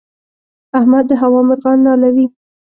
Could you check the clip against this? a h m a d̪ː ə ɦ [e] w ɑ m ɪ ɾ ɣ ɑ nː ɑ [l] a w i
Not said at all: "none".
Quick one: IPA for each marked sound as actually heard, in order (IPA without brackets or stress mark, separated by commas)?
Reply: a, l